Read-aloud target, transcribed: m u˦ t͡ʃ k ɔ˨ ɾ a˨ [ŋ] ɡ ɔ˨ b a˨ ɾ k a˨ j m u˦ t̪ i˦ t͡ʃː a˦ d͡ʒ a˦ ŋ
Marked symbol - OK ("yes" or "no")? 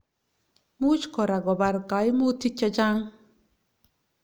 no